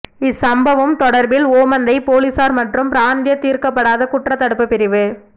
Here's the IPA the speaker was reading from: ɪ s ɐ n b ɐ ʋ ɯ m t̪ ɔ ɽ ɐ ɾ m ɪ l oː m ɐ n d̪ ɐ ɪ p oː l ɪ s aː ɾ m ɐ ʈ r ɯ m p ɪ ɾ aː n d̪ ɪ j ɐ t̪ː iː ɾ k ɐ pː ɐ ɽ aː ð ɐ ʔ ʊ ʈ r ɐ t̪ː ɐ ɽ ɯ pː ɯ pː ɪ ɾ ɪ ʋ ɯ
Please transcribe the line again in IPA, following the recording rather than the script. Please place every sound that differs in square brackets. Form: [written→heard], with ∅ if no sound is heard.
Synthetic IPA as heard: ɪ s ɐ [n→m] b ɐ ʋ ɯ m t̪ ɔ ɽ ɐ ɾ [m→b] ɪ l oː m ɐ n d̪ ɐ ɪ p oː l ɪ s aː ɾ m ɐ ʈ r ɯ m p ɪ ɾ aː n d̪ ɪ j ɐ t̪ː iː ɾ k ɐ pː ɐ ɽ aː ð ɐ [ʔ→k] ʊ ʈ r ɐ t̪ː ɐ ɽ ɯ pː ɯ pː ɪ ɾ ɪ ʋ ɯ